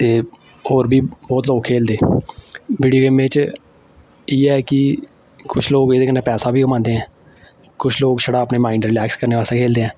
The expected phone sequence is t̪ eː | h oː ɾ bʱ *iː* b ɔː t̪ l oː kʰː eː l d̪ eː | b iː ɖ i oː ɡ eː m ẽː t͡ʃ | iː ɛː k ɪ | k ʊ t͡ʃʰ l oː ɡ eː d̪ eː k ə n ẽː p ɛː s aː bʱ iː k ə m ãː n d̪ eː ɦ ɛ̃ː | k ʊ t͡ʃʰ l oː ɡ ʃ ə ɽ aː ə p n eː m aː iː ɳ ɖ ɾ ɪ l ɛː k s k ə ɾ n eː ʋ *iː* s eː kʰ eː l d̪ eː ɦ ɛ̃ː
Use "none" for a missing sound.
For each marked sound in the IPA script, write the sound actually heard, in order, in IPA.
iː, aː

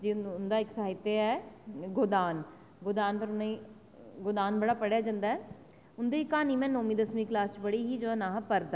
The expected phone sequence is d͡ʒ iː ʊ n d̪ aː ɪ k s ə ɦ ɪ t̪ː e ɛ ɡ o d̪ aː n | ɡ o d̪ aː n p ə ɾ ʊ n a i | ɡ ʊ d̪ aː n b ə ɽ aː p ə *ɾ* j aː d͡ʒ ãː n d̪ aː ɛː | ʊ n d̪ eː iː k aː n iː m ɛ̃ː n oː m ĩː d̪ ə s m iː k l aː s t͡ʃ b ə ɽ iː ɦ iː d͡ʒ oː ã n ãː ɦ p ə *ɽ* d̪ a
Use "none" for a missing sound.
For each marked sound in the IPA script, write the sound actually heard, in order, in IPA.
ɽ, ɾ

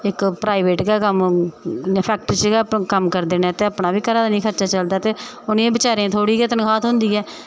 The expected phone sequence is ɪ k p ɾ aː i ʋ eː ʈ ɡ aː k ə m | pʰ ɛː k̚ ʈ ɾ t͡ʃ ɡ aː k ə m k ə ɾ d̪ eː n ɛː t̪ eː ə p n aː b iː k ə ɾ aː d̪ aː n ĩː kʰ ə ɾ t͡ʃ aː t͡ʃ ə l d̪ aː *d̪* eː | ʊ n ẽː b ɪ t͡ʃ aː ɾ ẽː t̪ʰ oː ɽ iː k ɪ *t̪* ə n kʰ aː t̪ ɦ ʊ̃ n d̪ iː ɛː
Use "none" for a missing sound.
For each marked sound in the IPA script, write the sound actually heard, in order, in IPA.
t̪, t̪

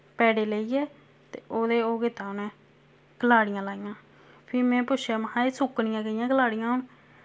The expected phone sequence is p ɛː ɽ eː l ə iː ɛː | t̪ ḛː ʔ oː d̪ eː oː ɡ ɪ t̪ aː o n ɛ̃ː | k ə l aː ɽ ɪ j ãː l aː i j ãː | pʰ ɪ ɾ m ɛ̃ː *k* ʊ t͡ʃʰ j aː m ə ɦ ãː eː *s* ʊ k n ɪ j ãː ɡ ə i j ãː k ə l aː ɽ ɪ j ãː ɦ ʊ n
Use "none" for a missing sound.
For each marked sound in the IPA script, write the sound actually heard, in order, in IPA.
p, s

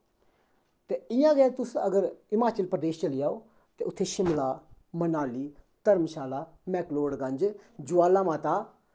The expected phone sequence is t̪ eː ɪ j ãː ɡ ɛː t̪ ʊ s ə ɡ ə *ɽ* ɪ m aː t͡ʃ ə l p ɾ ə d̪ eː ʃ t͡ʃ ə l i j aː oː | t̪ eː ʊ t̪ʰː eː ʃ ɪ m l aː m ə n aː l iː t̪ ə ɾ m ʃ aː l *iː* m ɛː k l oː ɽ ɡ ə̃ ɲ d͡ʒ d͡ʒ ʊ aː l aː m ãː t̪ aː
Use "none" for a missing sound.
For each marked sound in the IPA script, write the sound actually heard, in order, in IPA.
ɾ, aː

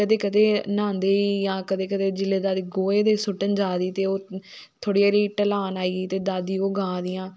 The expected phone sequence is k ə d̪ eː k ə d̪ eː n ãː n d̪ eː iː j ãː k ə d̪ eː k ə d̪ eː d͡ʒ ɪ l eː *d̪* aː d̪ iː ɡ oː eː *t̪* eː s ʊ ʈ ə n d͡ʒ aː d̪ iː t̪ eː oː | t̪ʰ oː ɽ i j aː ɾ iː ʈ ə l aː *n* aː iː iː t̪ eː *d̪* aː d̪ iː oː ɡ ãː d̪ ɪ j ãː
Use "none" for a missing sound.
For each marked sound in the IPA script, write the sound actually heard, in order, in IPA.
d̪, d̪, n, d̪

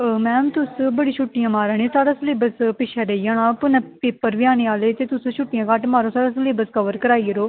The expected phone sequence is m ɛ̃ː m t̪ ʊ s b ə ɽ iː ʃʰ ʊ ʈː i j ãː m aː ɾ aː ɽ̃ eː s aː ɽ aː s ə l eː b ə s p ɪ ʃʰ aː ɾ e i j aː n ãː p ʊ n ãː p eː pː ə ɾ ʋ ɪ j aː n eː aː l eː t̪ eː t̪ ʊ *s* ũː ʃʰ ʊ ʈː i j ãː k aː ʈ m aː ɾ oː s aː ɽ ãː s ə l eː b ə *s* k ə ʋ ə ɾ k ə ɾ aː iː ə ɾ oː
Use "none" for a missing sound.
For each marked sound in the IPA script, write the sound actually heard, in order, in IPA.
s, s

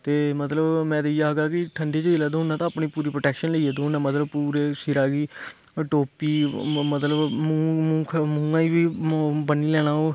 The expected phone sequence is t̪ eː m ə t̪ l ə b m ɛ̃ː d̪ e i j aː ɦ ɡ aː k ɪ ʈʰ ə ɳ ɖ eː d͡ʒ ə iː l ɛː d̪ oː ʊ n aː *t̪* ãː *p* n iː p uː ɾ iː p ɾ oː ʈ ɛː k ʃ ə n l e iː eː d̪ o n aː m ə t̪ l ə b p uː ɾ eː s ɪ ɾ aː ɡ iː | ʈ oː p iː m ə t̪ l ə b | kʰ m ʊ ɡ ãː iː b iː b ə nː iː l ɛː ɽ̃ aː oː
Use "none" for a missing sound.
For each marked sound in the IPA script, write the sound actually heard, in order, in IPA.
t̪, p

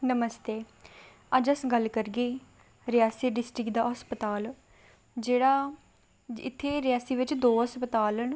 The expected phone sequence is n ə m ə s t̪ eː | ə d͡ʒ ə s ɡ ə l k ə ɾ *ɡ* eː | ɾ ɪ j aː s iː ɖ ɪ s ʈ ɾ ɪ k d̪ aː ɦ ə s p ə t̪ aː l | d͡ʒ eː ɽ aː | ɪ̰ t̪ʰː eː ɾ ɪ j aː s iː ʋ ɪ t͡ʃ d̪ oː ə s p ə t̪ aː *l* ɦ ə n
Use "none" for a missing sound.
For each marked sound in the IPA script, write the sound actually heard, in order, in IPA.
ɡ, l

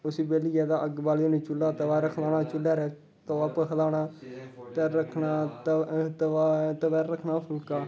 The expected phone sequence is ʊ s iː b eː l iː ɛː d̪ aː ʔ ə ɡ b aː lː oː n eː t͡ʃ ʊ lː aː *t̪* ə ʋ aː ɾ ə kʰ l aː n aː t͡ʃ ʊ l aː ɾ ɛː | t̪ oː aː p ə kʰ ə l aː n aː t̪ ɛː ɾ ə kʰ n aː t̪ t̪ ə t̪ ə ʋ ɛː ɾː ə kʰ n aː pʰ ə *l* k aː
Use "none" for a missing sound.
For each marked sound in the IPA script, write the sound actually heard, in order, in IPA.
t̪, l

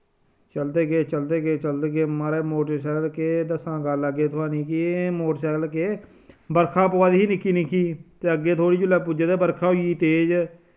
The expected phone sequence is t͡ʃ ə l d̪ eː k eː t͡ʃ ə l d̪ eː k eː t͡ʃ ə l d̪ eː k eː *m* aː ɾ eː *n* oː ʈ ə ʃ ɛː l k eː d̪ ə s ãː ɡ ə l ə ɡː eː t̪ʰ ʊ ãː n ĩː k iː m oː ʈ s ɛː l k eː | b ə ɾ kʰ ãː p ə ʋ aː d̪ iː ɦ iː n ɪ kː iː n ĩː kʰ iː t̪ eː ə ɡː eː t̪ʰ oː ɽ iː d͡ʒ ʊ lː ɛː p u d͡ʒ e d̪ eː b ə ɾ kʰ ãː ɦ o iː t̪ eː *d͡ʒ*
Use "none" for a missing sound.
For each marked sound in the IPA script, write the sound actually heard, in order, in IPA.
m, m, d͡ʒ

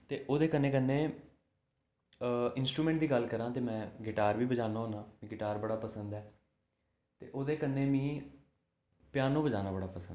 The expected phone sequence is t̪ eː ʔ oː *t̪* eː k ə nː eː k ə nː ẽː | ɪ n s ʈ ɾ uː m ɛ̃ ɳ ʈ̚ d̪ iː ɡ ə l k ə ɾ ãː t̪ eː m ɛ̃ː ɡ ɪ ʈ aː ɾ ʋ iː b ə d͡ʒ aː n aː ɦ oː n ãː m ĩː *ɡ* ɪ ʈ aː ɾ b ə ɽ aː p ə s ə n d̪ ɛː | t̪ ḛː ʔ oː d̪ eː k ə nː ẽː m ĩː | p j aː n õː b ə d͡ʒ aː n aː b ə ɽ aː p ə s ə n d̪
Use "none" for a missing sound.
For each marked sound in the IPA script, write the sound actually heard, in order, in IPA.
d̪, ɡ

